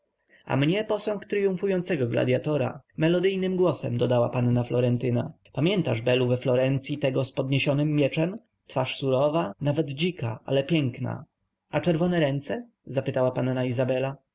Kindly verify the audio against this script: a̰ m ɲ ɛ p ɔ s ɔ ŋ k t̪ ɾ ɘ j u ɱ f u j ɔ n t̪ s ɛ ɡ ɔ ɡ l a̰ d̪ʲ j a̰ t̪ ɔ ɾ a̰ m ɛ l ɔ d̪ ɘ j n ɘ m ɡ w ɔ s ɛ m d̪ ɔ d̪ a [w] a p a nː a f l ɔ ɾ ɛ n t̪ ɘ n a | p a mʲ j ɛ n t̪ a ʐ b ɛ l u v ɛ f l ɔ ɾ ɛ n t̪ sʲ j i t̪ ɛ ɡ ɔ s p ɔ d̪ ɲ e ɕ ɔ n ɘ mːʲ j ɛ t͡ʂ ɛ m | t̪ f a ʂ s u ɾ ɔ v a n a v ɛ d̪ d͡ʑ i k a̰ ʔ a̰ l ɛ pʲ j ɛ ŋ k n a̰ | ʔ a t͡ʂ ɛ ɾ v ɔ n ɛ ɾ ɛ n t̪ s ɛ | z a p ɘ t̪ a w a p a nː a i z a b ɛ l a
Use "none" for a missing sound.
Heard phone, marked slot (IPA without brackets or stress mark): w